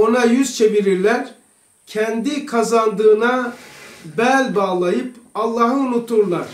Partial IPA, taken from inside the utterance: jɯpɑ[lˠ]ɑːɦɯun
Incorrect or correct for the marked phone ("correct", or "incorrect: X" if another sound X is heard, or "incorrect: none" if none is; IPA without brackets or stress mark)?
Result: incorrect: lˠː